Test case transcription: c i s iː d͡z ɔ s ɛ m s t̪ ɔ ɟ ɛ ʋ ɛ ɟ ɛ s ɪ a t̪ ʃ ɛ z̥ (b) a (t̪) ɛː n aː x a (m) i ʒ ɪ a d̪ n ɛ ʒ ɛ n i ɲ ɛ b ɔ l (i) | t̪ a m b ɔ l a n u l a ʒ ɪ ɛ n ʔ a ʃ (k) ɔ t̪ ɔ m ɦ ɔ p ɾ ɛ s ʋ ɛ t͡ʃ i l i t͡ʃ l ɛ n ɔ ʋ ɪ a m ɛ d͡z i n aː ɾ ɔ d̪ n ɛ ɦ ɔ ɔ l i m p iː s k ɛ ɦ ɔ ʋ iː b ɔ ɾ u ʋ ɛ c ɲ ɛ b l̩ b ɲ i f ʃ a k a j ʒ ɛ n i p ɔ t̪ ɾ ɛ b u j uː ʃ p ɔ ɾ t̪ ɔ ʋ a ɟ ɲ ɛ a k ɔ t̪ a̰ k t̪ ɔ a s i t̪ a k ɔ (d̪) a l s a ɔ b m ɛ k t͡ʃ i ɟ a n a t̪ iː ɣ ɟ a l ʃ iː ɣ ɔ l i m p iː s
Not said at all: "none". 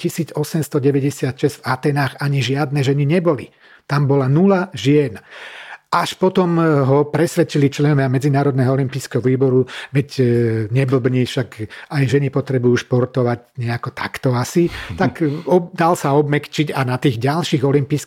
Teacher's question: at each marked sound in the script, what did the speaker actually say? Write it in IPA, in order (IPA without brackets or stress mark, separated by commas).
v, t̪, ɲ, i, p, d̪